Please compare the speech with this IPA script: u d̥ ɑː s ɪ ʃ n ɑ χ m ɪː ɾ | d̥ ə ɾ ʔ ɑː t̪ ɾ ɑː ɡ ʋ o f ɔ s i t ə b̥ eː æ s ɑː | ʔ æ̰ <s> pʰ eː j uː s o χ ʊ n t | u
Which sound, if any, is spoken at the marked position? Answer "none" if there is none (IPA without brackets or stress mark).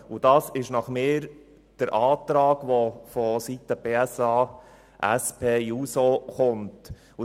s